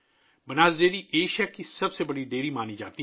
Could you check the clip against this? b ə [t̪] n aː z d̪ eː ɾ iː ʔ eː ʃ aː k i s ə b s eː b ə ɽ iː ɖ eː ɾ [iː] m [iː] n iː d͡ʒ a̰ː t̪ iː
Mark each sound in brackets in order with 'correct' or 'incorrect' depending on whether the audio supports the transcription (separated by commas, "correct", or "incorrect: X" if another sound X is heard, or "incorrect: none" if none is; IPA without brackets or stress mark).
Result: incorrect: none, correct, incorrect: aː